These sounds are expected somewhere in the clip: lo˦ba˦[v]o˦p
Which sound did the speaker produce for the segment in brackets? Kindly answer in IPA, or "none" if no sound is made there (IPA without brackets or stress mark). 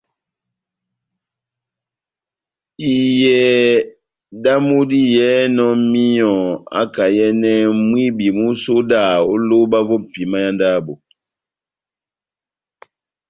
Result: v